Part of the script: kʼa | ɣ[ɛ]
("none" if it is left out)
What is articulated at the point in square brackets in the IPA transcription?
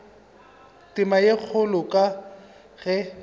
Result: ɛ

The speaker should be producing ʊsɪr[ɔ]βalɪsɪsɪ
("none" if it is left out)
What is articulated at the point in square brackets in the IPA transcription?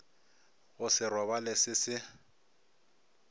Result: ɔ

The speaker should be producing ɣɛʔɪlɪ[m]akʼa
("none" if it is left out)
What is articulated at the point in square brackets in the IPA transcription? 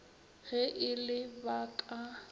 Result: b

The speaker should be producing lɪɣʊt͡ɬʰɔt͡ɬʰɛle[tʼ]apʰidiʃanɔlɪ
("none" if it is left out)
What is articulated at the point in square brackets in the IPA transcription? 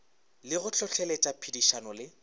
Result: tʼ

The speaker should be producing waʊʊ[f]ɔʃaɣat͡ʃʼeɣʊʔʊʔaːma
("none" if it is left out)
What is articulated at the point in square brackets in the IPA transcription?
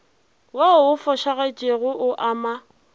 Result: f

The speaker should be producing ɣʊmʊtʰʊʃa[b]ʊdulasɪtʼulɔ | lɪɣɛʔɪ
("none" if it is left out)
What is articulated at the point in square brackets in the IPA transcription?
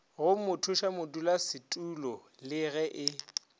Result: m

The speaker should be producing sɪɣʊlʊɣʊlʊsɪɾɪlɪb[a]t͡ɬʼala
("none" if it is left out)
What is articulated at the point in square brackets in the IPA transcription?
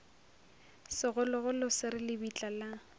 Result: i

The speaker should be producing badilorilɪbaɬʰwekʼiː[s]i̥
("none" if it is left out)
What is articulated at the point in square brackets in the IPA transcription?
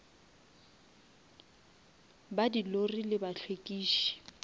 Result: ʃ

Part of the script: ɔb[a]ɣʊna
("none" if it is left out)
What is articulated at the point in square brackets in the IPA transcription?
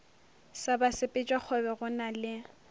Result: ɛ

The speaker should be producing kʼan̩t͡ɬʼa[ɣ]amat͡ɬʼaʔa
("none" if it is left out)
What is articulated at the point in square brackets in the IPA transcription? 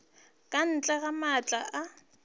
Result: ɣ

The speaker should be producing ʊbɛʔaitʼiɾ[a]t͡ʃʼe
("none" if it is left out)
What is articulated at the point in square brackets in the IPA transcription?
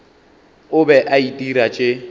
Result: a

